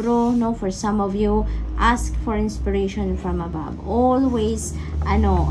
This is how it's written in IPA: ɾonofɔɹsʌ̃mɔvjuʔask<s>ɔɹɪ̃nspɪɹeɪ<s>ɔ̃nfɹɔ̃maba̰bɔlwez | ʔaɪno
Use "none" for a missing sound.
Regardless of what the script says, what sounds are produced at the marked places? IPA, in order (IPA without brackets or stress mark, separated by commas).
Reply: f, ʃ